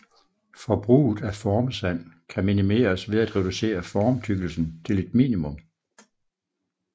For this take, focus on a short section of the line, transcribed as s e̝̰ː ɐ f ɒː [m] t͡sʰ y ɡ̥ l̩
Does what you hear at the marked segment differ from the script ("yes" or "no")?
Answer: no